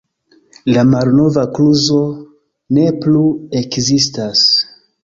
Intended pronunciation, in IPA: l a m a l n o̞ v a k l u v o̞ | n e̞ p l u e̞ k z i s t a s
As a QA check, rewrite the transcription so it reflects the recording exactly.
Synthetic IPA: l a m a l n o̞ v a k l u z o̞ | n e̞ p l u e̞ k z i s t a s